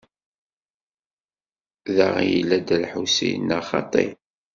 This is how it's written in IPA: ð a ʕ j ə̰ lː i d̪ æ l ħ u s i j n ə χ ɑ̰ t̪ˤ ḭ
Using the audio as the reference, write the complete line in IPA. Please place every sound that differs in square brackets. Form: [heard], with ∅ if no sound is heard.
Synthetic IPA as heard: ð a [ʁ] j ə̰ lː [æ] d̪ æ l ħ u s i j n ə χ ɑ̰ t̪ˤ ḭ

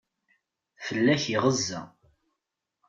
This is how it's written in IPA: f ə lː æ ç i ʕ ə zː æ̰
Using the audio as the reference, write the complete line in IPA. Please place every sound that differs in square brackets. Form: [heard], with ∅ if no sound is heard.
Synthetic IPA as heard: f ə lː æ ç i [ʁ] ə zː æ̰

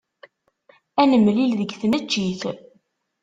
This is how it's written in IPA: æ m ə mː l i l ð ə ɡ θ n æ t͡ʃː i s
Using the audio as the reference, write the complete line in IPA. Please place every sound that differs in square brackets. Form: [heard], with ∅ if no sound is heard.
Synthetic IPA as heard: æ [n] ə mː l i l ð ə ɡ θ n æ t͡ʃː i [θ]

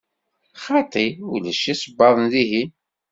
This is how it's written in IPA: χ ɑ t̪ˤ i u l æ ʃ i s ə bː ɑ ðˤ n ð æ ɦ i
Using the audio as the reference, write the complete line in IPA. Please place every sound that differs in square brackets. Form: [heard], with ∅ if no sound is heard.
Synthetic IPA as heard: χ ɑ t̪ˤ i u l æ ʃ i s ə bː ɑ ðˤ n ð [i] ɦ i

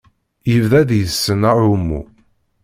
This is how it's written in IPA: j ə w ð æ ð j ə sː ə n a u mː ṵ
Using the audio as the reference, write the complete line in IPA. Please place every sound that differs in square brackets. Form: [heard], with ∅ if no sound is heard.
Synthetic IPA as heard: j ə [v] ð æ ð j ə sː ə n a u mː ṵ

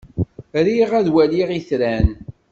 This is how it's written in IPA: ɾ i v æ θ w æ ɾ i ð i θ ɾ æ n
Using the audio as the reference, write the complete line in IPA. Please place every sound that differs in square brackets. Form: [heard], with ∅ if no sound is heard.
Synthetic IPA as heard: ɾ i [ʁ] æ [ð] w æ [l] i [ʁ] i θ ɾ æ n

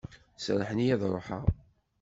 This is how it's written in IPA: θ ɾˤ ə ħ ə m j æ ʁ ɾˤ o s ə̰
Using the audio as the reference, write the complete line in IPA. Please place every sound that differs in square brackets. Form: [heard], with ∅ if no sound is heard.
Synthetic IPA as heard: [s] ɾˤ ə ħ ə [n] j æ [ð] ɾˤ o [ħ] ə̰

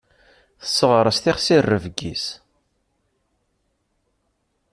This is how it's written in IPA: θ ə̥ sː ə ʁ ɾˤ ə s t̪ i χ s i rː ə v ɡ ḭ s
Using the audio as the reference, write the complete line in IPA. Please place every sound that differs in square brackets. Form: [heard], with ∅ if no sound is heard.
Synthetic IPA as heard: θ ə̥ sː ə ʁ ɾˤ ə s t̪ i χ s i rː ə v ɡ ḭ s

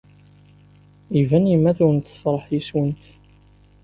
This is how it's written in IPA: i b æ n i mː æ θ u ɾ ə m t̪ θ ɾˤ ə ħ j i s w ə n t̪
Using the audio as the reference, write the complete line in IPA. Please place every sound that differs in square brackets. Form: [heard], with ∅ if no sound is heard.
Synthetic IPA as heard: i [v] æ n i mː æ θ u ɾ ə [n] t̪ [f] ɾˤ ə ħ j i s w ə n t̪

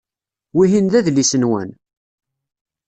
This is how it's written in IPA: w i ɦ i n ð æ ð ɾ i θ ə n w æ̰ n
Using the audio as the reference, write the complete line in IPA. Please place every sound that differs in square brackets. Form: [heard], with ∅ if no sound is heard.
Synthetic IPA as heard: w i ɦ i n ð æ ð [l] i [s] ə n w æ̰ n

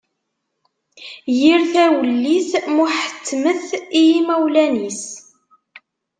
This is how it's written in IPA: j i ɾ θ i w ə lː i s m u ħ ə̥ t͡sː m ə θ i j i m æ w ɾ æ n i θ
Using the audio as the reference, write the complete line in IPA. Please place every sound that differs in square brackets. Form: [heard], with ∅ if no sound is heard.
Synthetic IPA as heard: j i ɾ θ [æ] w ə lː i s m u ħ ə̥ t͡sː m ə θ i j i m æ w [l] æ n i [s]

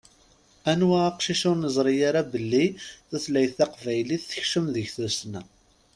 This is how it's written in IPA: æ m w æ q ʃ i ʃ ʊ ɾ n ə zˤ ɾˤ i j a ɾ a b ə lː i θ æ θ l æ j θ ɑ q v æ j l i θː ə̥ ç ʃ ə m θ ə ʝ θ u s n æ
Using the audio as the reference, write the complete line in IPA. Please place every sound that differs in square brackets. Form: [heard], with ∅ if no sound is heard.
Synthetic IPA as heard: æ [n] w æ q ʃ i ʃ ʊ ɾ n ə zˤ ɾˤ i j a ɾ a b ə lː i θ æ θ l æ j θ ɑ q v æ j l i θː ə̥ ç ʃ ə m [ð] ə ʝ θ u s n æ

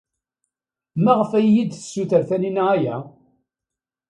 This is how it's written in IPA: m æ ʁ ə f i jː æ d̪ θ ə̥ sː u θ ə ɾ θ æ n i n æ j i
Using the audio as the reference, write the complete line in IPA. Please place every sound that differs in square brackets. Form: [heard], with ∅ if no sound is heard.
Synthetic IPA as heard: m æ ʁ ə f [æ] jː [i] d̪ θ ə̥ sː u θ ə ɾ θ æ n i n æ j [æ]

